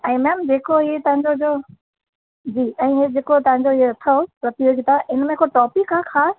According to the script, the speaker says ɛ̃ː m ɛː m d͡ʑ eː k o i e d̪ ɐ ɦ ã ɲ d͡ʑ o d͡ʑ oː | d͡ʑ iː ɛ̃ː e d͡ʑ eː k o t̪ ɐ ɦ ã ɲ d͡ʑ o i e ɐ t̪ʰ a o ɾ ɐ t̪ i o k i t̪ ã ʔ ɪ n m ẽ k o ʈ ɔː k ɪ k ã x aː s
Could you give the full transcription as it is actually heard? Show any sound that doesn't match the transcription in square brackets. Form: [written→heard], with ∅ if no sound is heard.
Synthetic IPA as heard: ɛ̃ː m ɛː m d͡ʑ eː k o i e [d̪→t̪] ɐ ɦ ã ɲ d͡ʑ o d͡ʑ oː | d͡ʑ iː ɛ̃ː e d͡ʑ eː k o t̪ ɐ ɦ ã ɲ d͡ʑ o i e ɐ t̪ʰ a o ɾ ɐ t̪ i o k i t̪ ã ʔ ɪ n m ẽ k o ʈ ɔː [k→p] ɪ k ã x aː s